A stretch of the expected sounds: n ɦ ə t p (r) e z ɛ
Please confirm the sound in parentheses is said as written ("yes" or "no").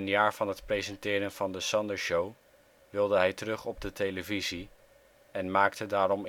yes